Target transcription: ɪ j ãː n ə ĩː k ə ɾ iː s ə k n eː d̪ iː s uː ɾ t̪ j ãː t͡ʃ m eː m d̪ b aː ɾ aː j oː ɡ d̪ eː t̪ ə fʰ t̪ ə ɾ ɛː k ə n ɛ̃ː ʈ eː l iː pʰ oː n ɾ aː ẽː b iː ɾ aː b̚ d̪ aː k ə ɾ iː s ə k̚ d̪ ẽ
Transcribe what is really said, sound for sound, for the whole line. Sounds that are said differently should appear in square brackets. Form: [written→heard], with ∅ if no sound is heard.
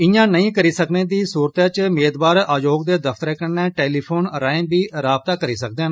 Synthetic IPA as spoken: ɪ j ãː n ə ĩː k ə ɾ iː s ə k n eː d̪ iː s uː ɾ t̪ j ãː t͡ʃ m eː [m→∅] d̪ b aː ɾ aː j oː ɡ d̪ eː [t̪→d̪] ə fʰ t̪ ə ɾ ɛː k ə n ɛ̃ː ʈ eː l iː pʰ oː n ɾ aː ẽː b iː ɾ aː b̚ [d̪→t̪] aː k ə ɾ iː s ə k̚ d̪ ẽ